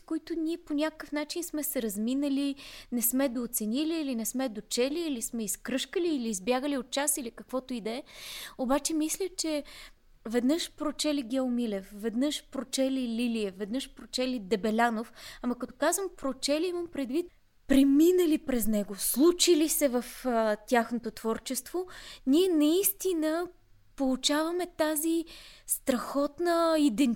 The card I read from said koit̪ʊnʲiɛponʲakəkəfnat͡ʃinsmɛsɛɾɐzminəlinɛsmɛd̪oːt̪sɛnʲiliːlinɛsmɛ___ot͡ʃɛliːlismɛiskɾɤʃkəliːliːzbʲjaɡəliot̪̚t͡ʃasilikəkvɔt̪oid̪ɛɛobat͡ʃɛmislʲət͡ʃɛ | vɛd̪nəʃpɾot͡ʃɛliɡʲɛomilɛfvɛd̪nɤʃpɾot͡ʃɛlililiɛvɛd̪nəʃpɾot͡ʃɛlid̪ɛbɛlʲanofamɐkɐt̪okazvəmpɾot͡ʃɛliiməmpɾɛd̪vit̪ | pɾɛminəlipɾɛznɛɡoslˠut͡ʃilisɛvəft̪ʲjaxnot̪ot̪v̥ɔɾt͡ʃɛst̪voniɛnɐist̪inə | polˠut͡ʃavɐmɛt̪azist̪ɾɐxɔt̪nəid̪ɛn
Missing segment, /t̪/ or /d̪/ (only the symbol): d̪